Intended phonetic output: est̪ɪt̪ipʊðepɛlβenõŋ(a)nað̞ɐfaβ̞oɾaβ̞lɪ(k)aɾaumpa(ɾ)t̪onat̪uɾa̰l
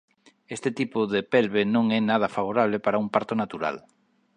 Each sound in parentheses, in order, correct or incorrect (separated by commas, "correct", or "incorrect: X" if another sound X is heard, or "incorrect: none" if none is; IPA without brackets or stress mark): incorrect: ɛ, incorrect: p, correct